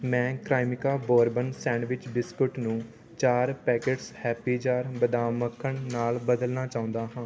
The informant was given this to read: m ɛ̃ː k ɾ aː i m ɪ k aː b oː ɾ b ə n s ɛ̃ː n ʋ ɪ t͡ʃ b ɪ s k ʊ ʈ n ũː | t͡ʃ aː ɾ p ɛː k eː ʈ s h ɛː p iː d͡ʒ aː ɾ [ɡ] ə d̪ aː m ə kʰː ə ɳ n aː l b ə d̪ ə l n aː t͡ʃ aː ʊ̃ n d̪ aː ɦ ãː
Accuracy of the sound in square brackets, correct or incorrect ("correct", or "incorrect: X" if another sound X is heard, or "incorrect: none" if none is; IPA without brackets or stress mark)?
incorrect: b